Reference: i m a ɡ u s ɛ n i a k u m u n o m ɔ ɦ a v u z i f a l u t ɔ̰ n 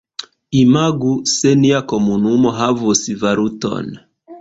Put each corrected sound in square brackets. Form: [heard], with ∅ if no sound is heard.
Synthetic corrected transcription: i m a ɡ u s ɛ n i a k [ɔ] m u n [u] m ɔ ɦ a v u [s] i [v] a [ɾ] u t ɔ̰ n